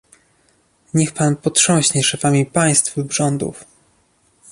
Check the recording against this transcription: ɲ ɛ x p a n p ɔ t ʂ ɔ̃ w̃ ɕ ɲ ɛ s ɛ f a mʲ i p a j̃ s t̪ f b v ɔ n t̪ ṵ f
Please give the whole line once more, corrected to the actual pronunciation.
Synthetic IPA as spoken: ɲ ɛ x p a n p ɔ t ʂ ɔ̃ w̃ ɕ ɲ ɛ ʂ ɛ f a mʲ i p a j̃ s t̪ f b ʐ ɔ n d̪ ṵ f